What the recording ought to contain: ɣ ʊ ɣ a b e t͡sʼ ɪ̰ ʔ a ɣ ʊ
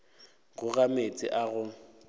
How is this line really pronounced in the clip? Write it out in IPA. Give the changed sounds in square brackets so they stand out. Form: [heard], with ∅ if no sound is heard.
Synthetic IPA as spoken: ɣ ʊ ɣ a [m] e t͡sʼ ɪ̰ ʔ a ɣ ʊ